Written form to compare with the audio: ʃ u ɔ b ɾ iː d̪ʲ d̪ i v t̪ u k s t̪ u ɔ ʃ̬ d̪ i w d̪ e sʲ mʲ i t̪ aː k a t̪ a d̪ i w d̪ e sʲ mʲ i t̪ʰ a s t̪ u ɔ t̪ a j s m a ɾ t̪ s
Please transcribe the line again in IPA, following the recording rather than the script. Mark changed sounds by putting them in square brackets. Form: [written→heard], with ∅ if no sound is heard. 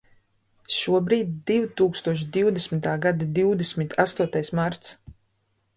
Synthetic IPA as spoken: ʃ u ɔ b ɾ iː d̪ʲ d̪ i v t̪ [u→uː] k s t̪ u ɔ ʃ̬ d̪ i w d̪ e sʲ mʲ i t̪ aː [k→ɡ] a [t̪→d̪] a d̪ i w d̪ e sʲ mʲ i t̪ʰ a s t̪ u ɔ t̪ a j s m a ɾ t̪ s